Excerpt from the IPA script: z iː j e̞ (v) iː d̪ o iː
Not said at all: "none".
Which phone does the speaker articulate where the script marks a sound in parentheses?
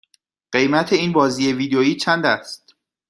v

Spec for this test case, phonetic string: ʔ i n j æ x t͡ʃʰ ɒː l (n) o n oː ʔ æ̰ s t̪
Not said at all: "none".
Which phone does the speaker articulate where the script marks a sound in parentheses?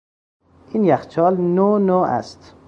n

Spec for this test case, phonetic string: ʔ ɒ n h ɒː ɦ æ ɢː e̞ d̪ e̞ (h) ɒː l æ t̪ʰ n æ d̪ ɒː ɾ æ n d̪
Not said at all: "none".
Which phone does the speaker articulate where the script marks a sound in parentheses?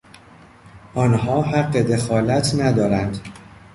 x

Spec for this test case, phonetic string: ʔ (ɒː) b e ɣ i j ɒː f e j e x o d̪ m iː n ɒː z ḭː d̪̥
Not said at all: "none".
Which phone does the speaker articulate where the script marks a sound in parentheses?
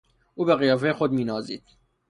uː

